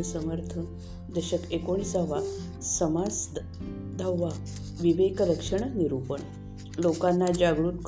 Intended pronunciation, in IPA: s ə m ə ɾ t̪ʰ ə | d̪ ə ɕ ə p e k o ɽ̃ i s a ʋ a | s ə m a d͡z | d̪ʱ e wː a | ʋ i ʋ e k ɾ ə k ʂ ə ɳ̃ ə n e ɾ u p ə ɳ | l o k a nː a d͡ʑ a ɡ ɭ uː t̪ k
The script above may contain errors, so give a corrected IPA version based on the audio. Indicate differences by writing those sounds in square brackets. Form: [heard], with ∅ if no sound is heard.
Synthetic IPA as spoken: s ə m ə ɾ t̪ʰ ə | d̪ ə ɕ ə [k] e k o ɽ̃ i s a ʋ a | s ə m a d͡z | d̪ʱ [a] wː a | ʋ i ʋ e k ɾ ə k ʂ ə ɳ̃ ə n [i] ɾ u p ə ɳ | l o k a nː a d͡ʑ a ɡ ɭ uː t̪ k